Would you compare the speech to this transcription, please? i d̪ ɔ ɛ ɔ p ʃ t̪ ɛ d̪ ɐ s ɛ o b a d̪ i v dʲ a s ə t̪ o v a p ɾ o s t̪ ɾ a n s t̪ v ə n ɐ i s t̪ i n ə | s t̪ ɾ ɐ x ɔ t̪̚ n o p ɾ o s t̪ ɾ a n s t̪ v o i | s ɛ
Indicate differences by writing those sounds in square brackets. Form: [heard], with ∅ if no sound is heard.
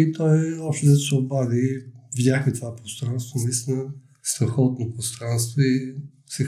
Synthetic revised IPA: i [t̪] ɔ ɛ ɔ p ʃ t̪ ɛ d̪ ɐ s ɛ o b a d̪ i v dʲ a [x] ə t̪ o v a p ɾ o s t̪ ɾ a n s t̪ v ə n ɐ i s t̪ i n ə | s t̪ ɾ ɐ x ɔ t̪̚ n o p ɾ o s t̪ ɾ a n s t̪ v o i | s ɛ